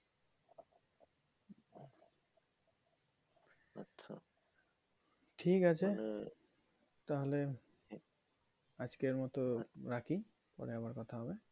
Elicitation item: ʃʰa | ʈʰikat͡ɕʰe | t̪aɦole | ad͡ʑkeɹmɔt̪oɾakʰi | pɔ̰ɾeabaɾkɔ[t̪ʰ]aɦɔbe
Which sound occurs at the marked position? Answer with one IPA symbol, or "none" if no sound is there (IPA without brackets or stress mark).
t̪ʰ